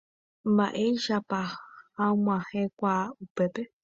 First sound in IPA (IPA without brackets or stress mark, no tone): m